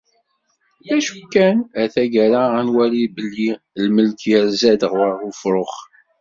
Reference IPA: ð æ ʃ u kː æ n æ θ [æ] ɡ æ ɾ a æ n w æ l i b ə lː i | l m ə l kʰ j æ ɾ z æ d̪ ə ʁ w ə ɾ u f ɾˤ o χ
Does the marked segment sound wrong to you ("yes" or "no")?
no